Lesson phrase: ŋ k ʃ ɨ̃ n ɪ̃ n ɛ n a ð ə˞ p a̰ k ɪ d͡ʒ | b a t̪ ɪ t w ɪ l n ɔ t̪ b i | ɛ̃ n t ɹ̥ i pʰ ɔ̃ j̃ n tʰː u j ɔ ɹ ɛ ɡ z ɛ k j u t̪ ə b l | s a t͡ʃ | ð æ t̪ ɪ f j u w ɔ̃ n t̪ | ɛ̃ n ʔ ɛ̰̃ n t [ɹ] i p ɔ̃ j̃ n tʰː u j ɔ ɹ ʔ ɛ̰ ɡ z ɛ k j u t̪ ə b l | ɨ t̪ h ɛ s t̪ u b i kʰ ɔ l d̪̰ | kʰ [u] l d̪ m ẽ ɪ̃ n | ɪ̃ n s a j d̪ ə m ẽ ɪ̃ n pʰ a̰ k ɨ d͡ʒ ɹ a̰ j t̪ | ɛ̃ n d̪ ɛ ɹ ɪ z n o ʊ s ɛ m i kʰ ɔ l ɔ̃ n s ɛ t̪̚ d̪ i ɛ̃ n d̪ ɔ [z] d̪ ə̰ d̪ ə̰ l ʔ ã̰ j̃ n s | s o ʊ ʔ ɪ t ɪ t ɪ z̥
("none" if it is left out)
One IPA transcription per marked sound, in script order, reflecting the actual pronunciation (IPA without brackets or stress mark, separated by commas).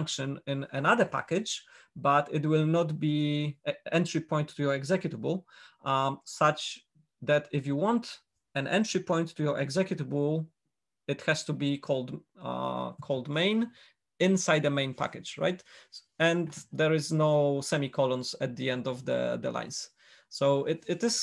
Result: ɹ, ɔ, v